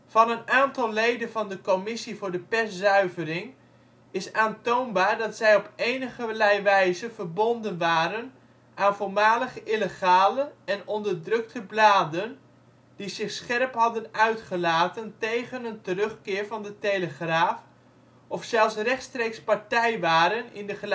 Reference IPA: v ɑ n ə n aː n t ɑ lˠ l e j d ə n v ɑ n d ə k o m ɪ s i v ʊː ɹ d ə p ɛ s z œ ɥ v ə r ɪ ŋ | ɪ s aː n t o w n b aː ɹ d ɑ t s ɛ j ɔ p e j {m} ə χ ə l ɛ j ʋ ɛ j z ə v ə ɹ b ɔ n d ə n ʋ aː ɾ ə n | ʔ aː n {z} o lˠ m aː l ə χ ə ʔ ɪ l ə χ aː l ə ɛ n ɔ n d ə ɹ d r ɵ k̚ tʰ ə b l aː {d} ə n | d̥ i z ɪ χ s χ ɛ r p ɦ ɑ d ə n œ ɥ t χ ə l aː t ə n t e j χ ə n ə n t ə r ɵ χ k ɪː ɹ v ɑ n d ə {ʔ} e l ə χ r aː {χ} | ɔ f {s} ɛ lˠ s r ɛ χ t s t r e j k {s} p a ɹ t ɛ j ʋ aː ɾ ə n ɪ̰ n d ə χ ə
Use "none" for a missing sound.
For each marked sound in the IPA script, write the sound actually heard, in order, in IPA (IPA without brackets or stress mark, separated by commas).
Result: n, v, d, t, f, s, s